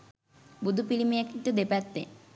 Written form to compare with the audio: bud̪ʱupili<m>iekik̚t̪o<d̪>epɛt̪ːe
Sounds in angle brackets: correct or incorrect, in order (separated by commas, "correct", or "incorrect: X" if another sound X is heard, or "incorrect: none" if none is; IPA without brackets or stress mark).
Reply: correct, correct